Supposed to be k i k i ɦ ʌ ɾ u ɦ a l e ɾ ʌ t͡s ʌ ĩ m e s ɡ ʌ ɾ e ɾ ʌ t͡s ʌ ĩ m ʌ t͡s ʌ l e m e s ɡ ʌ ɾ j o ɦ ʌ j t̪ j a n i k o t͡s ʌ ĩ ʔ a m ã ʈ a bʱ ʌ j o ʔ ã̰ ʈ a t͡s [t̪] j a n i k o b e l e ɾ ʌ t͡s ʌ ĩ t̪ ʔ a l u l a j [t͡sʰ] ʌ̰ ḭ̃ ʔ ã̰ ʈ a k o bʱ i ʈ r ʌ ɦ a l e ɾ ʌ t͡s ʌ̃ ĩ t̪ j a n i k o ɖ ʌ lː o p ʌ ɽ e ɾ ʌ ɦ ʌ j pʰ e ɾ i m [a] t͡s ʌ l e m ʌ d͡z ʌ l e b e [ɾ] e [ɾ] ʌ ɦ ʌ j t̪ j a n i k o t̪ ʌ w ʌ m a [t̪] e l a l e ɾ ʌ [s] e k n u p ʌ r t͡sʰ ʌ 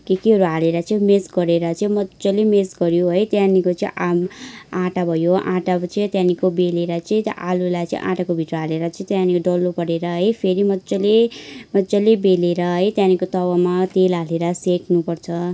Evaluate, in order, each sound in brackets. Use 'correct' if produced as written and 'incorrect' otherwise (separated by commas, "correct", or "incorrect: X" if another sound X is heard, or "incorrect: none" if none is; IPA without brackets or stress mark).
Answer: correct, incorrect: t͡s, incorrect: ʌ, incorrect: l, correct, correct, correct